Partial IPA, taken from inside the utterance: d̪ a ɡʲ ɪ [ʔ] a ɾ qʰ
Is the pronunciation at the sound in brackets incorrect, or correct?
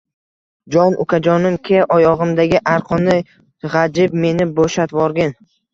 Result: correct